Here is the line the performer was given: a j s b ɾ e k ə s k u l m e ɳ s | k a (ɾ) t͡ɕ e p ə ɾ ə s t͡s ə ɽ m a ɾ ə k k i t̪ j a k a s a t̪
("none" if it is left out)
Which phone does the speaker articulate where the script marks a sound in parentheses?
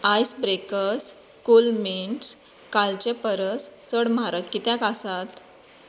l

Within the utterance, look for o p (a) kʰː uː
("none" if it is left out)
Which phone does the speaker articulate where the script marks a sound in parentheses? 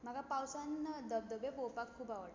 a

